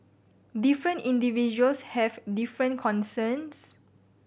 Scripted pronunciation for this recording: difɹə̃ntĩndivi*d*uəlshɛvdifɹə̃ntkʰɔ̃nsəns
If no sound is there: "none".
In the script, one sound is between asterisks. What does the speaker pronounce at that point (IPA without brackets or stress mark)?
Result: d͡ʒ